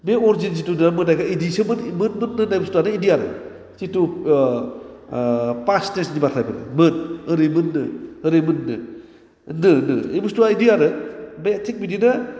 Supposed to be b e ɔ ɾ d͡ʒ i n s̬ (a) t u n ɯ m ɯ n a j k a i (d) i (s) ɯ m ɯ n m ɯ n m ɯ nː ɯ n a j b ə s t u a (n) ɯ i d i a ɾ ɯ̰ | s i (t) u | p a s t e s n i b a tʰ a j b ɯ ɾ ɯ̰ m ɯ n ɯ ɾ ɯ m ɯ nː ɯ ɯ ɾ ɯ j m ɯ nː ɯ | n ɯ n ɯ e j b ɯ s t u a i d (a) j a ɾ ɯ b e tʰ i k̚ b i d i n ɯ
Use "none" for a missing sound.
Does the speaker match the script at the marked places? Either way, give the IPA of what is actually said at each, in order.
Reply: i, d, s, n, t, i

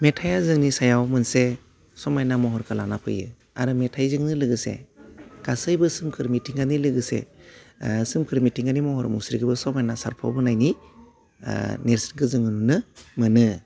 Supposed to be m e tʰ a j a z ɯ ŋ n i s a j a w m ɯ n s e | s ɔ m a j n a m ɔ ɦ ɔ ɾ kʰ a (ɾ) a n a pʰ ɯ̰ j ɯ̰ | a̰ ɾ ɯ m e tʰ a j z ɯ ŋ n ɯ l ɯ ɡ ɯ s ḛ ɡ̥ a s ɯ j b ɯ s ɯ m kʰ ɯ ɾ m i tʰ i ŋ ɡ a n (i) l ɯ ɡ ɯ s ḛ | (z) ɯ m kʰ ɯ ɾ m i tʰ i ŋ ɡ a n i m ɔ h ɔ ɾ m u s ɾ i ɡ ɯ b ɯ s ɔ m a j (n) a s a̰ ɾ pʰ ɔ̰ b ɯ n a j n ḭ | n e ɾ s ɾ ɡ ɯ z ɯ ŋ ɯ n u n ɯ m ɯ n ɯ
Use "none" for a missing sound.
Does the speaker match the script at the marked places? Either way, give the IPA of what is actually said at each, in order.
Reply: l, i, s, n

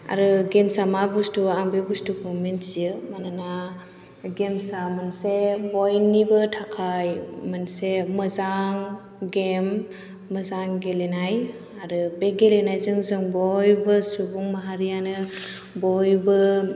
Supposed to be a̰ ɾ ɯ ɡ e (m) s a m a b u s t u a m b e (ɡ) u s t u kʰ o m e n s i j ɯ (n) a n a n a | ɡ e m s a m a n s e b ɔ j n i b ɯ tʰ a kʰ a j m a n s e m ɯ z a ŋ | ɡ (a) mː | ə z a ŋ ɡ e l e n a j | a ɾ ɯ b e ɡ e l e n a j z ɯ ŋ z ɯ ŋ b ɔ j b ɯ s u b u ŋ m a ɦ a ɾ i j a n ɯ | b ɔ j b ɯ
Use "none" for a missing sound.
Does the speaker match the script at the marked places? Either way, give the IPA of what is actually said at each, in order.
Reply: m, b, m, e

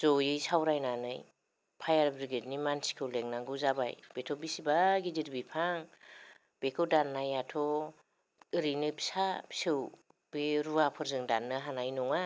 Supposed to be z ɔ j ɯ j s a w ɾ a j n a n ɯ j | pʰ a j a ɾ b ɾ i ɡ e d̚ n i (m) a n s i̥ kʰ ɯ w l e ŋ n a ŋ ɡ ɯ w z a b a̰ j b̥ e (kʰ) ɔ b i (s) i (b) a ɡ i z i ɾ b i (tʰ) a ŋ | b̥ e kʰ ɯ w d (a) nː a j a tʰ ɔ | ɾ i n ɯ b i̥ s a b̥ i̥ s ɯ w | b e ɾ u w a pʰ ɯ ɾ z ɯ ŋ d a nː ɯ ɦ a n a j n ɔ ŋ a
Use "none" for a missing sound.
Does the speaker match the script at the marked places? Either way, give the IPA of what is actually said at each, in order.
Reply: m, tʰ, s, b, pʰ, a

